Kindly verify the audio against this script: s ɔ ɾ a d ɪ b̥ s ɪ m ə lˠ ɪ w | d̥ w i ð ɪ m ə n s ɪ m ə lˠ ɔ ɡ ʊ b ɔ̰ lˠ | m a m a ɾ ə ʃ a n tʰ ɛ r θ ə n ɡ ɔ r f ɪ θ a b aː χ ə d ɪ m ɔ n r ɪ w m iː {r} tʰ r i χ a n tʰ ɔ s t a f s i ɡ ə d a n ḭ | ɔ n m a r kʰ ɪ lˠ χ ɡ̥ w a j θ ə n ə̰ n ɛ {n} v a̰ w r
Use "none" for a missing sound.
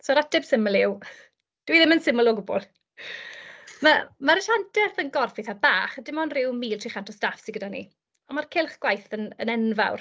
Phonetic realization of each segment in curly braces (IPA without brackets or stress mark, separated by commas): l, n